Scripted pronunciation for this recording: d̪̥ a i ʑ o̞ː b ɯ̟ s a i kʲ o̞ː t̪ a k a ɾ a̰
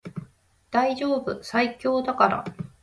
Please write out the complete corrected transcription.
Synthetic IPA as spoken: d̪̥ a i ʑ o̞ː b ɯ̟ s a i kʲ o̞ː d̪ a k a ɾ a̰